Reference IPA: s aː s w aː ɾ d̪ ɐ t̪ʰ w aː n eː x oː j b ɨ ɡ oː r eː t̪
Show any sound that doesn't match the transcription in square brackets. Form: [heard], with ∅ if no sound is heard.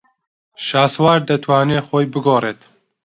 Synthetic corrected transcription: [ʃ] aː s w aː ɾ d̪ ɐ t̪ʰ w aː n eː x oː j b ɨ ɡ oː r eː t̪